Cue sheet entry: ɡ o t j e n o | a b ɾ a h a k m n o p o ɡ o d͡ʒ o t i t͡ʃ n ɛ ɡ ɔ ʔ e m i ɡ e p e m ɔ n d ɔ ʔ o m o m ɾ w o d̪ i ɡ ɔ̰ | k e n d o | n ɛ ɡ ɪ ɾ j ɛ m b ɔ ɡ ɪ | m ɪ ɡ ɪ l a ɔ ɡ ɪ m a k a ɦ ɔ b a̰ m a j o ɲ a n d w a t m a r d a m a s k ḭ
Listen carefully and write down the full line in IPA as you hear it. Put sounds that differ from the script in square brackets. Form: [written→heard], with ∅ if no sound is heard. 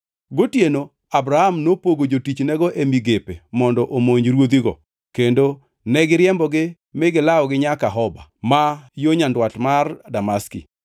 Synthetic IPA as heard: ɡ o t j e n o | a b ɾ a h a [k→∅] m n o p o ɡ o d͡ʒ o t i t͡ʃ n ɛ ɡ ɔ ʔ e m i ɡ e p e m ɔ n d ɔ ʔ o m o [m→ɲ] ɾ w o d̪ i ɡ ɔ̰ | k e n d o | n ɛ ɡ ɪ ɾ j ɛ m b ɔ ɡ ɪ | m ɪ ɡ ɪ l a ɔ ɡ ɪ [m→ɲ] a k a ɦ ɔ b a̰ m a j o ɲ a n d w a t m a r d a m a s k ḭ